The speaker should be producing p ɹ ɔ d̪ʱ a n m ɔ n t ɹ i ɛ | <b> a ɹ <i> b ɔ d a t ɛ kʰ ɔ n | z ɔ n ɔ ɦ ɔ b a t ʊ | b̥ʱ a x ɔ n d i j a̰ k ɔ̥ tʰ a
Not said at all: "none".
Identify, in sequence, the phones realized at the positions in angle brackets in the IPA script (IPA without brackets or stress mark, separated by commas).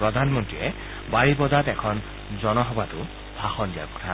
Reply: b, i